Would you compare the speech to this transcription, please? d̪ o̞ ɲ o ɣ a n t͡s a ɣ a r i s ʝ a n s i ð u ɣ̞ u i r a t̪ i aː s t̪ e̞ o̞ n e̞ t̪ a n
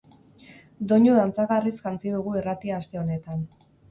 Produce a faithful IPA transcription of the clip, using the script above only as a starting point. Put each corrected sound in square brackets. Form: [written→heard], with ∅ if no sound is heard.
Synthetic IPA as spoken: d̪ o̞ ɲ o [ɣ→ð] a n t͡s a ɣ a r i s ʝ a n [s→t͡s] i ð u ɣ̞ u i r a t̪ i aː s t̪ e̞ o̞ n e̞ t̪ a n